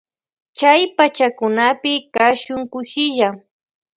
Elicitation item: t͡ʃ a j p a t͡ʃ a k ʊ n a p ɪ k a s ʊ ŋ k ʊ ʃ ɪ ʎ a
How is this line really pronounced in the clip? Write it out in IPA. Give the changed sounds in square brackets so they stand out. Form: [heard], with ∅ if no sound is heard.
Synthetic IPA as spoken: t͡ʃ a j p a t͡ʃ a k ʊ n a p ɪ k a [ʃ] ʊ ŋ k ʊ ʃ ɪ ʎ a